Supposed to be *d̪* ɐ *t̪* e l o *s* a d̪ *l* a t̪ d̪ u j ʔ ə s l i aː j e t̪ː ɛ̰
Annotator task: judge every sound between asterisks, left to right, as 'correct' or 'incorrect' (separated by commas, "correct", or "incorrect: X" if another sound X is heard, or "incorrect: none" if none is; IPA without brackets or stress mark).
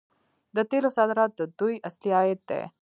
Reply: correct, correct, correct, incorrect: ɾ